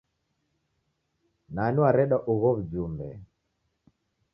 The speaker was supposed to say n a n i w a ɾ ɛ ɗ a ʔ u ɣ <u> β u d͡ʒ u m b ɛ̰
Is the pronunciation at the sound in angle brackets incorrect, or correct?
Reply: incorrect: ɔ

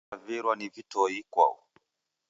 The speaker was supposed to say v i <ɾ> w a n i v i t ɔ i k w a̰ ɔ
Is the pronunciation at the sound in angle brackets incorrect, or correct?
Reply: correct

